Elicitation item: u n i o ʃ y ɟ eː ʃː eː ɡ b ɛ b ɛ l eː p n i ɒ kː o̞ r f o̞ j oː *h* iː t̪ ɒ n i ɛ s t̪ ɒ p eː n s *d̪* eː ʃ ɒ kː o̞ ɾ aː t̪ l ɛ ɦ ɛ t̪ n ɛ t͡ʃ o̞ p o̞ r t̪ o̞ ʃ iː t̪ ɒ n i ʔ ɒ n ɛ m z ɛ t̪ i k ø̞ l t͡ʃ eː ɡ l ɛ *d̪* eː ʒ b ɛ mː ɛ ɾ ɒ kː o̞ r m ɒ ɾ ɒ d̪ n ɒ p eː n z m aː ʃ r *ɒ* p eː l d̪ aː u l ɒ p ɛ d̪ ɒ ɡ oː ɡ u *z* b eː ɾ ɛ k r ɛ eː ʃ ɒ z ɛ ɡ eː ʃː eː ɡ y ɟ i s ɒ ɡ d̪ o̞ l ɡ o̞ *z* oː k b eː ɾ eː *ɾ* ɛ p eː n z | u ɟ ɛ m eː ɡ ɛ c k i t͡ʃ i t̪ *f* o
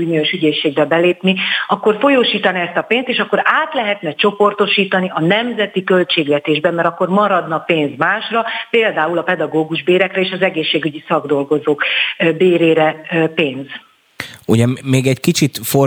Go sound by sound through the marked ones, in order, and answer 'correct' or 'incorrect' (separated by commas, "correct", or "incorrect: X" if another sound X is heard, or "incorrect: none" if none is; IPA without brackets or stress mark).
incorrect: ʃ, incorrect: t̪, incorrect: t̪, correct, incorrect: ʒ, correct, correct, correct